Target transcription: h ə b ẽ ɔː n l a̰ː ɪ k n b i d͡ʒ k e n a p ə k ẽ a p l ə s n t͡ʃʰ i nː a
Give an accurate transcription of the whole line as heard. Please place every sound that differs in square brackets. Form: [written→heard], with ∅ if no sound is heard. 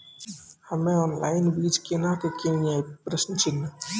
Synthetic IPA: h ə [b→m] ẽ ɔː n l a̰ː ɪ [k→∅] n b i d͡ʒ k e n a [p→k] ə k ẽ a p [l→ɾ] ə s n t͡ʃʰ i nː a